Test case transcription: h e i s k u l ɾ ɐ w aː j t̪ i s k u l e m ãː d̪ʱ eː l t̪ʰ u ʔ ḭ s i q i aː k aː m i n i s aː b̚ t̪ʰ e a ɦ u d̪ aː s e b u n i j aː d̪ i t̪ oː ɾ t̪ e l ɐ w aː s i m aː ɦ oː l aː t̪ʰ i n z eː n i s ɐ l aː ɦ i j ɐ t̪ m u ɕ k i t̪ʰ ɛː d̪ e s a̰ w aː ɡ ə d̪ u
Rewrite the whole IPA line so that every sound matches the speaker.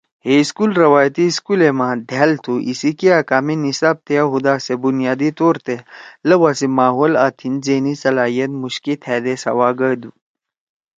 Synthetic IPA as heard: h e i s k u l ɾ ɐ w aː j t̪ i s k u l e m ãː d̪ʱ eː l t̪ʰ u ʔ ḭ s i k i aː k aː m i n i s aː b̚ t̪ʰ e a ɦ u d̪ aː s e b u n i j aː d̪ i t̪ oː ɾ t̪ e l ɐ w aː s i m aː ɦ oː l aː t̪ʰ i n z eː n i s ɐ l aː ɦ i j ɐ t̪ m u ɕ k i t̪ʰ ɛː d̪ e s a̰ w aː ɡ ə d̪ u